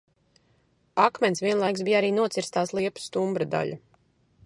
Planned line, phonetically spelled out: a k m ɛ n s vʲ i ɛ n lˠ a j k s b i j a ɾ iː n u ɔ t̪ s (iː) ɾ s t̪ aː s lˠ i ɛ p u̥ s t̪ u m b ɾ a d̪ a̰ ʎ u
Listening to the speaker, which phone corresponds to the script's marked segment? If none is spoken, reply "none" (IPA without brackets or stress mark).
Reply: i